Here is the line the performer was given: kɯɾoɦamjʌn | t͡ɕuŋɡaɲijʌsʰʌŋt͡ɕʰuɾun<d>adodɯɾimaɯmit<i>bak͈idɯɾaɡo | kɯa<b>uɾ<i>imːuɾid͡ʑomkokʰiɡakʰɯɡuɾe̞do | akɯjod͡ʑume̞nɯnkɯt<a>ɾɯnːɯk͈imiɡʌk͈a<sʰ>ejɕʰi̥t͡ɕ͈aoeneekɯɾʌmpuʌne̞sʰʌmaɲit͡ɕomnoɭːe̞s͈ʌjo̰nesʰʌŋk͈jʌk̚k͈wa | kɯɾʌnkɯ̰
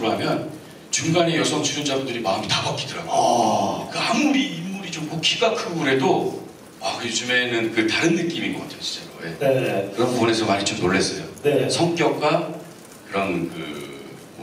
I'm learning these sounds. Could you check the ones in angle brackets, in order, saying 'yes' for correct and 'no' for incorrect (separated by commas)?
no, no, no, yes, yes, no